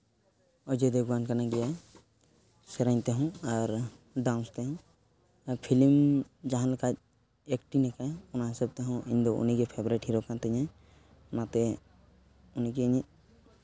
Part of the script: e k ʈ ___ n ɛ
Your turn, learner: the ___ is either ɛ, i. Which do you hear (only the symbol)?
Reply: i